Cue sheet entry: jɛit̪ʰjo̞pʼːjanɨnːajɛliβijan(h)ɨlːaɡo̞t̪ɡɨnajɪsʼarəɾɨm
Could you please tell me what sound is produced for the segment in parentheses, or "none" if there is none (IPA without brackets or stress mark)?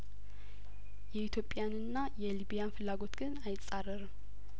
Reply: f